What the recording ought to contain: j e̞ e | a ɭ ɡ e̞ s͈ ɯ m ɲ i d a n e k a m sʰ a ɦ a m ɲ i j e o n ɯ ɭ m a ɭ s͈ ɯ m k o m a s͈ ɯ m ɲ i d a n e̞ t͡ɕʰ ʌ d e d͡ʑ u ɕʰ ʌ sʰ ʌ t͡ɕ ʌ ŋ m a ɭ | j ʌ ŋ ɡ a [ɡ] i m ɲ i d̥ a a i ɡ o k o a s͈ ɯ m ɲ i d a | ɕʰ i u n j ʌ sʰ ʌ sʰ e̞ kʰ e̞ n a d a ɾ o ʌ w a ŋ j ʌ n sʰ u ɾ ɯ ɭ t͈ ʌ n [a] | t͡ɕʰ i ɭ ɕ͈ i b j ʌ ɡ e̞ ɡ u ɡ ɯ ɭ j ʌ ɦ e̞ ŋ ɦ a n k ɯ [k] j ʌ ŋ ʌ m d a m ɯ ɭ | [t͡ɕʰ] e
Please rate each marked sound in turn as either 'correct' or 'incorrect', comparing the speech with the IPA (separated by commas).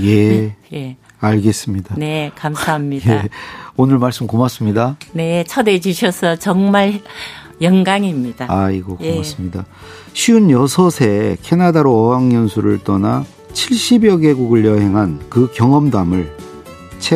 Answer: incorrect, correct, correct, correct